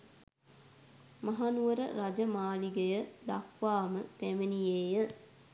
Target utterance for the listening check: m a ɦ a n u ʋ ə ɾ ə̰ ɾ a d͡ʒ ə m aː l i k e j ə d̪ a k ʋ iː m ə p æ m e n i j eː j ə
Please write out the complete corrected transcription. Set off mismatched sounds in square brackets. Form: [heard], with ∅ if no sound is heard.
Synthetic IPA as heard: m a ɦ a n u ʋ ə ɾ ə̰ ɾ a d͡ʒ ə m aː l i [ɡ] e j ə d̪ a k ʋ [aː] m ə p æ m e n i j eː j ə